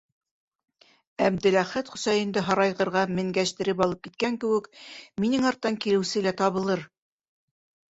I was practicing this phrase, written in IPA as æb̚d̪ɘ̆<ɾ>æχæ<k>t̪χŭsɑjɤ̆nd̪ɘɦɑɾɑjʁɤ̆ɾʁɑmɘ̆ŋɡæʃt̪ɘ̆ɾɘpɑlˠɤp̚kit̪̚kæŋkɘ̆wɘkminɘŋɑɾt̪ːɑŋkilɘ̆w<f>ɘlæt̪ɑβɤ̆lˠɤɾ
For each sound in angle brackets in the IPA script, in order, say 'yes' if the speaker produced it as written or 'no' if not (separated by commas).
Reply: no, no, no